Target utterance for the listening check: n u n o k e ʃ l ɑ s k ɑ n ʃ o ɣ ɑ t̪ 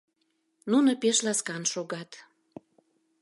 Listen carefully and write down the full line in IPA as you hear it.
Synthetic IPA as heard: n u n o p e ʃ l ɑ s k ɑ n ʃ o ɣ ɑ t̪